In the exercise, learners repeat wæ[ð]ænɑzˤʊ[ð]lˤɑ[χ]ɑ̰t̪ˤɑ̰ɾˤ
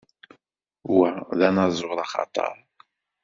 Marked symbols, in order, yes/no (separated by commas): yes, no, yes